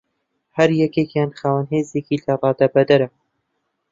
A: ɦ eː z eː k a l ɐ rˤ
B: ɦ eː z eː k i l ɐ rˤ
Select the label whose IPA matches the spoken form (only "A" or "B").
B